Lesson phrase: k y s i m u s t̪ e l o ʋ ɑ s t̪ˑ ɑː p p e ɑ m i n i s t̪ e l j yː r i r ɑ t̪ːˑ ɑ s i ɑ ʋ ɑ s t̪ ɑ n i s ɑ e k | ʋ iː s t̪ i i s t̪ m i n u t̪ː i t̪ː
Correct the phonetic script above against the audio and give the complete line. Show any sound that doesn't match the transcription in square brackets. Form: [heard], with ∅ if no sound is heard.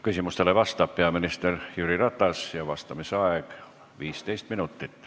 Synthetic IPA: k y s i m u s t̪ e l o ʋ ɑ s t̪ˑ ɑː p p e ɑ m i n i s t̪ e [r] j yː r i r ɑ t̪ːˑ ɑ s [j] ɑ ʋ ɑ s t̪ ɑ [m] i s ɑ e k | ʋ iː s t̪ [e] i s t̪ m i n u t̪ː i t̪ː